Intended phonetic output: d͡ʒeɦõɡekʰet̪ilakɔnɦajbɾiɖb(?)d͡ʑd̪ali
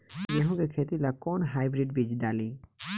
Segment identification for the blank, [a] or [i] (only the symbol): i